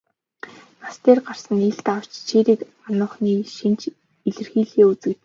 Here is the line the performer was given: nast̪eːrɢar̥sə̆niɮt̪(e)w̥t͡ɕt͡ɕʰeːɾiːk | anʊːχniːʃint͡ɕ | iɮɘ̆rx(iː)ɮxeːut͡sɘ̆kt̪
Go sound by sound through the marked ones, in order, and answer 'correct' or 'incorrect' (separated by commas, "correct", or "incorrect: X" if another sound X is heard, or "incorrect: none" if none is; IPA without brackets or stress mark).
incorrect: a, correct